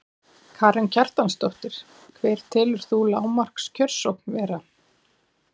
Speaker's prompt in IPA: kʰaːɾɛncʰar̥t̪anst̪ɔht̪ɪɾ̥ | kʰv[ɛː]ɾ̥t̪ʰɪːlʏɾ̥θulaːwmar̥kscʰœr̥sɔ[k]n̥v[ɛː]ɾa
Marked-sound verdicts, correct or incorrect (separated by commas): correct, correct, correct